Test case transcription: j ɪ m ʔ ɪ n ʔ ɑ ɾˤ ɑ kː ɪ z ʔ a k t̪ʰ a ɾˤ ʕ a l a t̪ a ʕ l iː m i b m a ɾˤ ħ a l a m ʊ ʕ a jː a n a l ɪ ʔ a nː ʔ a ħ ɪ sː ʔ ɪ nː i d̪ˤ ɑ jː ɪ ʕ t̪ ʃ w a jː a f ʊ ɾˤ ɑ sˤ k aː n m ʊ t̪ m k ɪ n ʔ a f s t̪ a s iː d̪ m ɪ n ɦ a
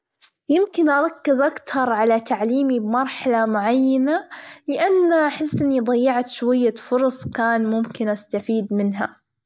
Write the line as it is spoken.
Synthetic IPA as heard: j ɪ m k ɪ n ʔ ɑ ɾˤ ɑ kː ɪ z ʔ a k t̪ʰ ɑ ɾˤ ʕ a l a t̪ a ʕ l iː m i b m ɑ ɾˤ ħ a l a m ʊ ʕ a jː a n a l ɪ ʔ a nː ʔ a ħ ɪ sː ʔ ɪ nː i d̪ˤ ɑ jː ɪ ʕ t̪ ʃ w a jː a f ʊ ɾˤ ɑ sˤ k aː n m ʊ m k ɪ n ʔ a s t̪ a f iː d̪ m ɪ n ɦ a